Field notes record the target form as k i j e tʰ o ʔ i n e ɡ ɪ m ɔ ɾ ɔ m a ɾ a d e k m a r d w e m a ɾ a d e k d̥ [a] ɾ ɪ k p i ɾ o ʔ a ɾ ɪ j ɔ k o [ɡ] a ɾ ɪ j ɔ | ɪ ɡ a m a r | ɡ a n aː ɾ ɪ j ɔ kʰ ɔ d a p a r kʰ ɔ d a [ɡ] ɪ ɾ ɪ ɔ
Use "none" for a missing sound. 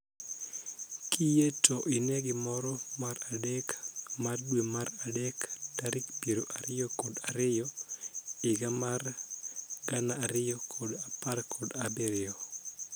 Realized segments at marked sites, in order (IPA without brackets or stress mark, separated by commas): a, d, b